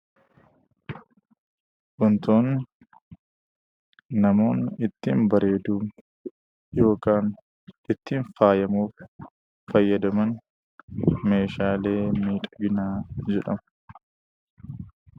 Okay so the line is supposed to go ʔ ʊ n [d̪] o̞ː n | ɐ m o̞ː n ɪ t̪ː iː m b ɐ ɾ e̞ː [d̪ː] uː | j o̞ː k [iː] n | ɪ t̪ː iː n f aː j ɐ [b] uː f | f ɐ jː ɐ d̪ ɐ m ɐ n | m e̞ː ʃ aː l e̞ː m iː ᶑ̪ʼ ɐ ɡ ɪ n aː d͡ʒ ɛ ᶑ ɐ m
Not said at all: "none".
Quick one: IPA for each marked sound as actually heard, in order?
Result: t̪, d̪, aː, m

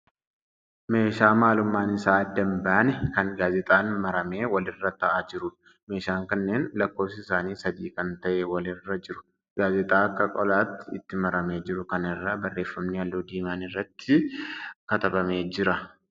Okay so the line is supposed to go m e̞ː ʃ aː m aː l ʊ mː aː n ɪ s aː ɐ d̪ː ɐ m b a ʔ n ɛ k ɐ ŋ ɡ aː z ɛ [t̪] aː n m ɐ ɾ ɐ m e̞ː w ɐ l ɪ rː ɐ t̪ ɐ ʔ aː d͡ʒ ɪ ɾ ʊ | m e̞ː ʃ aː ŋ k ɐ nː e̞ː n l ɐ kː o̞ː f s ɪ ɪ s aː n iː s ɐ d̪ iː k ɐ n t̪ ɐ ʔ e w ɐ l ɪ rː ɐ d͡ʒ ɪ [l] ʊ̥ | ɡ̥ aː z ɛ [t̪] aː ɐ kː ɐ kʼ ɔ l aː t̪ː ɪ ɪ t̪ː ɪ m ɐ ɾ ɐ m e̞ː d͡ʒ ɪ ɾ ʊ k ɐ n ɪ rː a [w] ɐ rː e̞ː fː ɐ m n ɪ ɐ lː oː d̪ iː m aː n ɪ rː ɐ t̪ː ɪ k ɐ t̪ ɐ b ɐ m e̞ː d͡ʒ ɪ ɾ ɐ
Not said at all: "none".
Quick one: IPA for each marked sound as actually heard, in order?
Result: t̪ʼ, ɾ, t̪ʼ, b

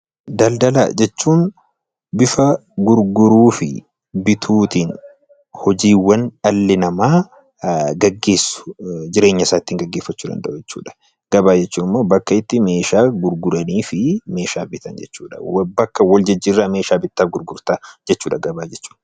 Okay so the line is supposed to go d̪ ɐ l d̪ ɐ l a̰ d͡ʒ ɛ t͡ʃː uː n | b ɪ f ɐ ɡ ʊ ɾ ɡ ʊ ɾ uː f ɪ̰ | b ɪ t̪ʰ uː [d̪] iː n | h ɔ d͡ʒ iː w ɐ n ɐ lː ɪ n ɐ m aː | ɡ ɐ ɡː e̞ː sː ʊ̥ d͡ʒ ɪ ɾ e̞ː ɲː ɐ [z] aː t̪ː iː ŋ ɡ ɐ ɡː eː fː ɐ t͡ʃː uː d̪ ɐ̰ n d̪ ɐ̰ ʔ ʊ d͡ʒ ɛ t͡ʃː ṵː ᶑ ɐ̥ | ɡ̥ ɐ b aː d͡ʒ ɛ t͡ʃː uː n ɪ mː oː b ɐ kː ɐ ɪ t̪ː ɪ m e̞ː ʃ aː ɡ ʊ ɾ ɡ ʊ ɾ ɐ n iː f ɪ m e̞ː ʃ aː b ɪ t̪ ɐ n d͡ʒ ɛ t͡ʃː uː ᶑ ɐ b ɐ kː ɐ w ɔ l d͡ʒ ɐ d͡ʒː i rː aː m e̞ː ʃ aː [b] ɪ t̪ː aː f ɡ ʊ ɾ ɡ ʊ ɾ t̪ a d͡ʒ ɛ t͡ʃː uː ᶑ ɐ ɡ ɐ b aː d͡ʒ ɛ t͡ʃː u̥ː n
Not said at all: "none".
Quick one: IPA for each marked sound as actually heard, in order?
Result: t̪, s, b

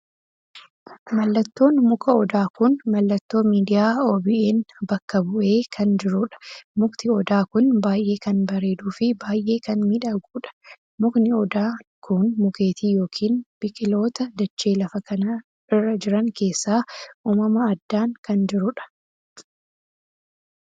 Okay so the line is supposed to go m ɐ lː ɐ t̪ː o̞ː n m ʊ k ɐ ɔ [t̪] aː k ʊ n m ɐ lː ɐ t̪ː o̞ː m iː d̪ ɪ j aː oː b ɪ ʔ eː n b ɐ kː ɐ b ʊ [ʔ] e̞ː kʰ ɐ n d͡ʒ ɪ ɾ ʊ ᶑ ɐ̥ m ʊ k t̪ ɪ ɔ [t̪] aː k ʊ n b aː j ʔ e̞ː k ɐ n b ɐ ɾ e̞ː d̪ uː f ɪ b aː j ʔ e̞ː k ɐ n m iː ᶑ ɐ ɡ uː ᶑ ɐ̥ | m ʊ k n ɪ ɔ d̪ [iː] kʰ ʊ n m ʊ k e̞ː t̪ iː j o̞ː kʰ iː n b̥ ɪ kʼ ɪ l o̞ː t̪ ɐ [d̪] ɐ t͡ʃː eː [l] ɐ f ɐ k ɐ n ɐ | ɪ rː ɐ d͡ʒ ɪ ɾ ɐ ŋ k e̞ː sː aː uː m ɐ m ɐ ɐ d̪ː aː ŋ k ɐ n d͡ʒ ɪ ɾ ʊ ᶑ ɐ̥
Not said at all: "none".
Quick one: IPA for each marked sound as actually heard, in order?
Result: d̪, ʔ, d̪, aː, d̪, l

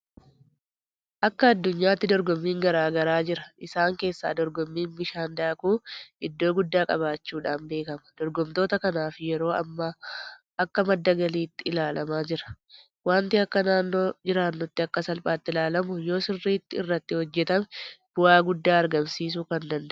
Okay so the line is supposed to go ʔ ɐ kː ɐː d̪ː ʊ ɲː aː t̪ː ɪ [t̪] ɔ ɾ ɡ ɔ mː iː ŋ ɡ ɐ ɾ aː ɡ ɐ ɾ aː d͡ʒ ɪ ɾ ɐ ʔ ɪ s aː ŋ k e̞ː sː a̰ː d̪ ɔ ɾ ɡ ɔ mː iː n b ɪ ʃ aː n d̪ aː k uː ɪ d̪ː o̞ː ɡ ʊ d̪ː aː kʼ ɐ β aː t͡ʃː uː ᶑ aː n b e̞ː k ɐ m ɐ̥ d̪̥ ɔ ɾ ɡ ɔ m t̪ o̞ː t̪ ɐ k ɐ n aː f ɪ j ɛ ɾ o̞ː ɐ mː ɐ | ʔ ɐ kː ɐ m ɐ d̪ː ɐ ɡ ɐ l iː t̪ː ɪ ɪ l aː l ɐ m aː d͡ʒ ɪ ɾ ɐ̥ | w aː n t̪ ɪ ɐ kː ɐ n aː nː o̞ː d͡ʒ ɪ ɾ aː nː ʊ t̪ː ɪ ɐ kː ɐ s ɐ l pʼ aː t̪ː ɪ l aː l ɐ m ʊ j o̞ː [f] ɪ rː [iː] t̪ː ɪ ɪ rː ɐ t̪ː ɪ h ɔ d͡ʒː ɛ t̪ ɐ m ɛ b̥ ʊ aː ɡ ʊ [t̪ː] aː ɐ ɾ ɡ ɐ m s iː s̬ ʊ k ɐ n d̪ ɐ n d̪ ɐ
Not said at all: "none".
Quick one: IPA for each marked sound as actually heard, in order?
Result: d̪, s, iː, d̪ː

